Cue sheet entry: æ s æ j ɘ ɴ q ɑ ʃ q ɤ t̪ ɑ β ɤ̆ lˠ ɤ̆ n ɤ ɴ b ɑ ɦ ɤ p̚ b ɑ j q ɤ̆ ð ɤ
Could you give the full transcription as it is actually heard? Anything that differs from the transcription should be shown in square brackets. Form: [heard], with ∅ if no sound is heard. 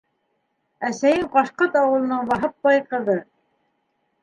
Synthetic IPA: æ s æ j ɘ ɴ q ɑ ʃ q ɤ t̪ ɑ [w] ɤ̆ lˠ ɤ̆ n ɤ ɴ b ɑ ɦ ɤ p̚ b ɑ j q ɤ̆ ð ɤ